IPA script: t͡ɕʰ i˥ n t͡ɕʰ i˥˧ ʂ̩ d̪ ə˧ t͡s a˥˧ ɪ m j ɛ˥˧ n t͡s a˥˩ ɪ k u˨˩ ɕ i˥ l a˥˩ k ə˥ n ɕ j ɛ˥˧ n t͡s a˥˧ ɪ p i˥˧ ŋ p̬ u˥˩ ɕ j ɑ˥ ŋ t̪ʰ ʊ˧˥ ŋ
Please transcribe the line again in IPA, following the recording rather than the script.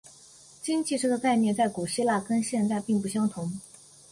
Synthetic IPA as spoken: t͡ɕ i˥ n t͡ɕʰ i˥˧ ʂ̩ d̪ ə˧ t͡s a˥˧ ɪ m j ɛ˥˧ n t͡s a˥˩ ɪ k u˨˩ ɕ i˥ l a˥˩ k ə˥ n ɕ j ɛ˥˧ n t͡s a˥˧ ɪ p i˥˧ ŋ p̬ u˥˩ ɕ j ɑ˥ ŋ t̪ʰ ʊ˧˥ ŋ